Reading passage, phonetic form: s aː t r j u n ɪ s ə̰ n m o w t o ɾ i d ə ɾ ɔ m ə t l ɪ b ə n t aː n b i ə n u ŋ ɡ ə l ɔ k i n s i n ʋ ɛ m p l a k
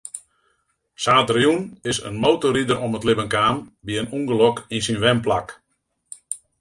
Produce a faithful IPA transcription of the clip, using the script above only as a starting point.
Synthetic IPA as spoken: s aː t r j u n ɪ s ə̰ n m o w t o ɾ i d ə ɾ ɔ m ə t l ɪ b ə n k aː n b i ə n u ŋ ɡ ə l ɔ k i n s i n ʋ ɛ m p l a k